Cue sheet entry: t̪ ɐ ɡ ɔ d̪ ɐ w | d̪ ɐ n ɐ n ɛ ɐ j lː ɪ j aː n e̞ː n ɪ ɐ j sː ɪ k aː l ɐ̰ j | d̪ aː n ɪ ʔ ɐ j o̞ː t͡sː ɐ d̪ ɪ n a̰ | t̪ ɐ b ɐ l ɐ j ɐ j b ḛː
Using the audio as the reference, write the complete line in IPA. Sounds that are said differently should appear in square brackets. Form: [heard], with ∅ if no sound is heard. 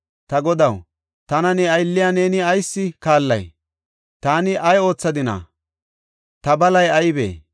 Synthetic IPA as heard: t̪ ɐ ɡ ɔ d̪ ɐ w | [t̪] ɐ n ɐ n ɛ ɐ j lː ɪ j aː n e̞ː n ɪ ɐ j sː ɪ k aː [lː] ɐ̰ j | [t̪] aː n ɪ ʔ ɐ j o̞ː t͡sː ɐ d̪ ɪ n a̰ | t̪ ɐ b ɐ l ɐ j ɐ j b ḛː